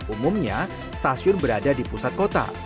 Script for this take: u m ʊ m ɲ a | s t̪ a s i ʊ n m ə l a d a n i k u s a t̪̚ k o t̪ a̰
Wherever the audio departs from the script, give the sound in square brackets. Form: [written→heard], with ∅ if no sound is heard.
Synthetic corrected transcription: u m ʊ m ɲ a | s t̪ a s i ʊ n [m→b] ə [l→ɾ] a d a [n→d] i [k→p] u s a t̪̚ k o t̪ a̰